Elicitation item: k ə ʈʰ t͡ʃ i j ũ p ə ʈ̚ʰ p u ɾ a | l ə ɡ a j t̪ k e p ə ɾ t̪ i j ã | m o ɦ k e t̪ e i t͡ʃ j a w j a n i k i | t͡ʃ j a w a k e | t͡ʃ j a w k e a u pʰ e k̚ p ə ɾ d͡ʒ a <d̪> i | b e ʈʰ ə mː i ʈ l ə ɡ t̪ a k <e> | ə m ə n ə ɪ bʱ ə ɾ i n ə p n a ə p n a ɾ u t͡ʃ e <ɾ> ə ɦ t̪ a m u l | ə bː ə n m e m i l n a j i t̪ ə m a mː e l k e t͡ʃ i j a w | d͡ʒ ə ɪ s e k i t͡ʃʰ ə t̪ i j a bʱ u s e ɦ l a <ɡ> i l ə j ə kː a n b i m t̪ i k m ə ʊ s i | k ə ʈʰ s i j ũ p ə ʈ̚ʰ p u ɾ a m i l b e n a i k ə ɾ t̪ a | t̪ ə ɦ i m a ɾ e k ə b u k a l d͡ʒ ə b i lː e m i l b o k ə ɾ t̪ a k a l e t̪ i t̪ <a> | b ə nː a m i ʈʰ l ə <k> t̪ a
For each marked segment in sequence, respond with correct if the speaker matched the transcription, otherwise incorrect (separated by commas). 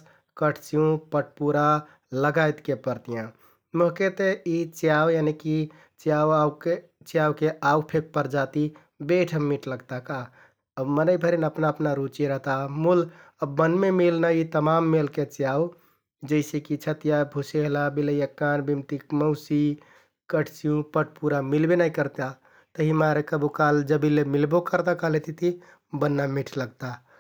incorrect, incorrect, correct, incorrect, incorrect, incorrect